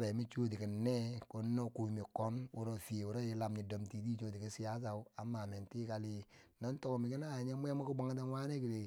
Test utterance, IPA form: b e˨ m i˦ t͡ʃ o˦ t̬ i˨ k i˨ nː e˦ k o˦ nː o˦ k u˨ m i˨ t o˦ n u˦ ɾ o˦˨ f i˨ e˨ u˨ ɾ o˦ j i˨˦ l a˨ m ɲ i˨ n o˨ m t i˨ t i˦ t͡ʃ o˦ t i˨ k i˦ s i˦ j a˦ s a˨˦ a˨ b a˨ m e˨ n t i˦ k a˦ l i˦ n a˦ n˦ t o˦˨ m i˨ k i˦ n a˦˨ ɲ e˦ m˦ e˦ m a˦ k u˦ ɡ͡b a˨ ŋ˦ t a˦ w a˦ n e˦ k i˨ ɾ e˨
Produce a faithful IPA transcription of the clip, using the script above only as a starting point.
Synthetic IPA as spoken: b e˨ m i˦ t͡ʃ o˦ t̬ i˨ k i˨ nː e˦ k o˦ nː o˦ k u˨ m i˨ k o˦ n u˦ ɾ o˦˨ f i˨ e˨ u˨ ɾ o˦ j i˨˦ l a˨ m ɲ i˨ d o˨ m t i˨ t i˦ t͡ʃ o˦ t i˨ k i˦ s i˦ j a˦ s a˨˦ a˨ m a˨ m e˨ n t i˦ k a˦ l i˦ n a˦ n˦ t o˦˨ m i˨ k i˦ n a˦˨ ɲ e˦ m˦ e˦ m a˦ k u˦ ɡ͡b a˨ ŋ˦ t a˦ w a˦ n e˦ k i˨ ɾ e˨

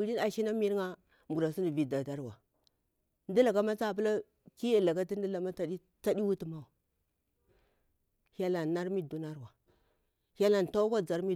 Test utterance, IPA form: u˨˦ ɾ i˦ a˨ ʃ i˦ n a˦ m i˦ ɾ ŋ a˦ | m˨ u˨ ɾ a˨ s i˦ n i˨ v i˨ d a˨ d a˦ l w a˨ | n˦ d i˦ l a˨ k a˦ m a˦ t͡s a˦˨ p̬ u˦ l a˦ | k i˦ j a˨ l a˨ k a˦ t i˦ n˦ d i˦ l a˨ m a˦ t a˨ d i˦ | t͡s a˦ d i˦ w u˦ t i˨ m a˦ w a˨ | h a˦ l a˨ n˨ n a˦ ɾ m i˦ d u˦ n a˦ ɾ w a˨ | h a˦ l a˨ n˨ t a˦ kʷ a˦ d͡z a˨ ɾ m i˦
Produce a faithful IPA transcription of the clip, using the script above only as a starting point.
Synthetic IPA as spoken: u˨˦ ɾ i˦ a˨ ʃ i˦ n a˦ m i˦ ɾ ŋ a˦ | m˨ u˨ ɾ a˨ s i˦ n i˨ v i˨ d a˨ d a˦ ɾ w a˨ | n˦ d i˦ l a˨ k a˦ m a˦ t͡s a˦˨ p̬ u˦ l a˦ | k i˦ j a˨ l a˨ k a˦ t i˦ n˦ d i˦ l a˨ m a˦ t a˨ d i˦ | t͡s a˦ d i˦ w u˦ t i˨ m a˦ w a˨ | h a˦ l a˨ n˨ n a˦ ɾ m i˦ d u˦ n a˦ ɾ w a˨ | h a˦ l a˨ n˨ t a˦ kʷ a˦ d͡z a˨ ɾ m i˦

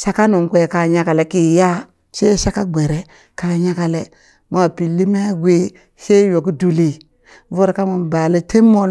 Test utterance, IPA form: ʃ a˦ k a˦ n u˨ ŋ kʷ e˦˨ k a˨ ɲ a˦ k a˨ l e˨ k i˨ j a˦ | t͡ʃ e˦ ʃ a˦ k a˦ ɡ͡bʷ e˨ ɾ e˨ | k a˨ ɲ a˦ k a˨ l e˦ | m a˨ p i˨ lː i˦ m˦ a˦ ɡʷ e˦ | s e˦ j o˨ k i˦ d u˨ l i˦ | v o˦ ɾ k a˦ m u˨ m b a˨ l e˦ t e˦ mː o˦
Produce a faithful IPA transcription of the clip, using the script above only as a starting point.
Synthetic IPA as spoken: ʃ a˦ k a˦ n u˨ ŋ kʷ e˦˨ k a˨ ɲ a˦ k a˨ l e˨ k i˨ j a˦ | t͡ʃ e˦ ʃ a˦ k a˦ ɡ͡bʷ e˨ ɾ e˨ | k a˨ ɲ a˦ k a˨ l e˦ | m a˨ p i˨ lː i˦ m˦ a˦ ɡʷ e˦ | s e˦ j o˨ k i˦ d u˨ l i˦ | v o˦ ɾ k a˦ m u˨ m b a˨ l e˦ t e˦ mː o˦

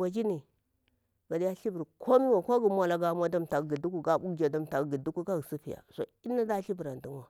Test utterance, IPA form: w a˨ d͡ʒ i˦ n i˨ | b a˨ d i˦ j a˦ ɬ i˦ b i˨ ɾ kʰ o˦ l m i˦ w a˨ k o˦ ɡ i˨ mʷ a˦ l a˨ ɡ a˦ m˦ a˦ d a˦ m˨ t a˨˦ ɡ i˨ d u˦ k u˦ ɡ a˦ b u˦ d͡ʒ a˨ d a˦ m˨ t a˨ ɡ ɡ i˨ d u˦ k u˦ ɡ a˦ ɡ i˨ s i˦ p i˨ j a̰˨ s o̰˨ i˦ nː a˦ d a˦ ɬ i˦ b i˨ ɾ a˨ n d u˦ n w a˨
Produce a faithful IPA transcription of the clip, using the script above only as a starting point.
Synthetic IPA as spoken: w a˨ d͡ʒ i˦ n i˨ | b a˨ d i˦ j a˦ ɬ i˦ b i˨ ɾ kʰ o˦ m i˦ w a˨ k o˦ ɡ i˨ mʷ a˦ l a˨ ɡ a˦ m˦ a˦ d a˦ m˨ t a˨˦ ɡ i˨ d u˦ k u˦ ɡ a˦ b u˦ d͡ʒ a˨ d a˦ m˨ t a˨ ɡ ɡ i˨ d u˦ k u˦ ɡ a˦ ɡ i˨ s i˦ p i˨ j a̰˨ s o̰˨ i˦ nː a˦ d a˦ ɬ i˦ b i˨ ɾ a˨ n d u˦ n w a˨

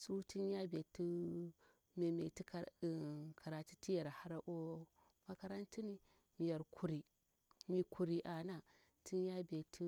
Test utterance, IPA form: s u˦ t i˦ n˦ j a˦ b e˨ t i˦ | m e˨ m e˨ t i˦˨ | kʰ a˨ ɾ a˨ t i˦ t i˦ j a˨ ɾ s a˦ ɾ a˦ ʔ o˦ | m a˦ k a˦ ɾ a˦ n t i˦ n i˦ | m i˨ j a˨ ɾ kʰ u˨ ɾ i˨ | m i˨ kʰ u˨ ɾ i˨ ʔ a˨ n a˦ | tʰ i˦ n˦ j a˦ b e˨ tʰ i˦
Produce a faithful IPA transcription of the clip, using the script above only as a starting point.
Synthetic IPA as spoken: s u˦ t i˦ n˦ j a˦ b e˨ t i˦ | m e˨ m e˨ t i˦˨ | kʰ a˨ ɾ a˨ t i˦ t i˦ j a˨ ɾ h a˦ ɾ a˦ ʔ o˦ | m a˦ k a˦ ɾ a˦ n t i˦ n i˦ | m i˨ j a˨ ɾ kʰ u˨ ɾ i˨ | m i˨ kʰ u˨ ɾ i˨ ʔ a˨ n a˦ | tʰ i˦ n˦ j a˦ b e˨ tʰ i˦

